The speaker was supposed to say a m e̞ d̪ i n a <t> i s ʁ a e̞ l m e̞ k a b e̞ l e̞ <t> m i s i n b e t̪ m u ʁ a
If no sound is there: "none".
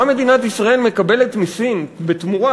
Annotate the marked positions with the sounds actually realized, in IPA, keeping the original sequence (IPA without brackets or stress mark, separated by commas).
t, t